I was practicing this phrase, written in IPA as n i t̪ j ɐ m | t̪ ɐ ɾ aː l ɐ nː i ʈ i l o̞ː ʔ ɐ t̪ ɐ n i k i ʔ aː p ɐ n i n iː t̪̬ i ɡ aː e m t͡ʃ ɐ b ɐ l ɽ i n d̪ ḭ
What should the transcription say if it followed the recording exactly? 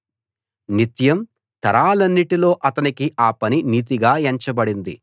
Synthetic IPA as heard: n i t̪ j ɐ m | t̪ ɐ ɾ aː l ɐ nː i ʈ i l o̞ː ʔ ɐ t̪ ɐ n i k i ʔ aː p ɐ n i n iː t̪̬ i ɡ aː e ɲ t͡ʃ ɐ b ɐ ɽ i n d̪ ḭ

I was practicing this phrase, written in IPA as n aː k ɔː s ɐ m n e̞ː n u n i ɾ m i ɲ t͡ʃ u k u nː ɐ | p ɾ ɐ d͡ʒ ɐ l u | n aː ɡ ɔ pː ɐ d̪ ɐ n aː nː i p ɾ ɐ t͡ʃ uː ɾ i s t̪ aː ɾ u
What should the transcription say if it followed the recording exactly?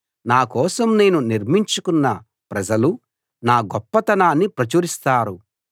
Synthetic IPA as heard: n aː k ɔː s ɐ m n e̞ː n u n i ɾ m i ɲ t͡ʃ u k u nː ɐ | p ɾ ɐ d͡ʒ ɐ l u | n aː ɡ ɔ pː ɐ t̪ ɐ n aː nː i p ɾ ɐ t͡ʃ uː ɾ i s t̪ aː ɾ u

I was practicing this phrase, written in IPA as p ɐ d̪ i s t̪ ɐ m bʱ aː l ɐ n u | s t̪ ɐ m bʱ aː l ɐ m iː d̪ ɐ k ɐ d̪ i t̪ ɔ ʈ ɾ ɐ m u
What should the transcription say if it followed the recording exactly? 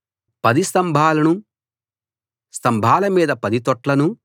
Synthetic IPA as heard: p ɐ d̪ i s t̪ ɐ m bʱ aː l ɐ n u | s t̪ ɐ m bʱ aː l ɐ m iː d̪ ɐ p ɐ d̪ i t̪ ɔ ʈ l ɐ n u

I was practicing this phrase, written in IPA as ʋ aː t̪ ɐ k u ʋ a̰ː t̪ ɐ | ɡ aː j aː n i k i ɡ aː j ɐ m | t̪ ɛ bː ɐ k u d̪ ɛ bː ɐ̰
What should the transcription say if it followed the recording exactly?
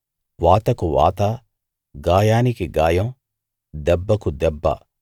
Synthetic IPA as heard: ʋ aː t̪ ɐ k u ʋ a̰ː t̪ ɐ | ɡ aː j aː n i k i ɡ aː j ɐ m | d̪ ɛ bː ɐ k u d̪ ɛ bː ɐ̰

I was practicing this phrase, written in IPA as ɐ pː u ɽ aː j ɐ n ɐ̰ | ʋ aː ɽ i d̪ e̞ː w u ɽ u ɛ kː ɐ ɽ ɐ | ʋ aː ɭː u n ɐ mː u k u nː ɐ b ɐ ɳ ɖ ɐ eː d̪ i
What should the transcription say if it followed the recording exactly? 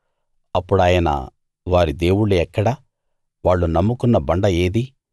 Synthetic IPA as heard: ɐ pː u ɽ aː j ɐ n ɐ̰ | ʋ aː ɾ i d̪ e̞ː w u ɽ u ɛ kː ɐ ɽ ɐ | ʋ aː ɭː u n ɐ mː u k u nː ɐ b ɐ ɳ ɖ ɐ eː d̪ i

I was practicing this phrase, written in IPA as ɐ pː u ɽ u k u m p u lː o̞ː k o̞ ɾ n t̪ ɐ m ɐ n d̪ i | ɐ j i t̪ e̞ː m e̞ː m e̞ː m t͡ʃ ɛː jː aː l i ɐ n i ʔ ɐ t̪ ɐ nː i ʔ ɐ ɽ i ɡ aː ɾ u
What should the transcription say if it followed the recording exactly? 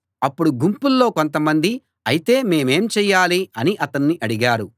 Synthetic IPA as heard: ɐ pː u ɽ u ɡ u m p u lː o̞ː k o̞ n t̪ ɐ m ɐ n d̪ i | ɐ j i t̪ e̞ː m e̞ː m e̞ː m t͡ʃ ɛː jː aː l i ɐ n i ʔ ɐ t̪ ɐ nː i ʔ ɐ ɽ i ɡ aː ɾ u

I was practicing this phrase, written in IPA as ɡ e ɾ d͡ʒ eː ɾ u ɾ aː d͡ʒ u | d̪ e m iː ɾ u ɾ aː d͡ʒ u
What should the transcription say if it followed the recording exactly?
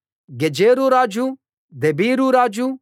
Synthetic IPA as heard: ɡ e d͡ʒ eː ɾ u ɾ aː d͡ʒ u | d̪ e b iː ɾ u ɾ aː d͡ʒ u

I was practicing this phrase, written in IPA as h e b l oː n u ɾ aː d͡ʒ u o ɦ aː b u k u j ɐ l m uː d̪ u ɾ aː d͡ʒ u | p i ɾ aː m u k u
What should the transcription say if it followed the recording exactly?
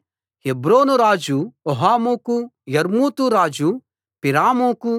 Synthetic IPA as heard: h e b ɾ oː n u ɾ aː d͡ʒ u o ɦ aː m u k u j ɐ ɾ m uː t̪ u ɾ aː d͡ʒ u | p i ɾ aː m u k u

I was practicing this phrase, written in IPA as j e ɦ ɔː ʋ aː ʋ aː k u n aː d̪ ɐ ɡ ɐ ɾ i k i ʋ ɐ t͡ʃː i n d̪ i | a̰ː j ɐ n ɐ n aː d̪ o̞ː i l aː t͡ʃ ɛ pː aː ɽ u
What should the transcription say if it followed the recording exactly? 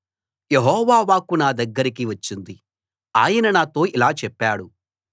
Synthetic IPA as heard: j e ɦ ɔː ʋ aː ʋ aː k u n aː d̪ ɐ ɡː ɐ ɾ i k i ʋ ɐ t͡ʃː i n d̪ i | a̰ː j ɐ n ɐ n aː t̪ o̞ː i l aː t͡ʃ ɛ pː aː ɽ u

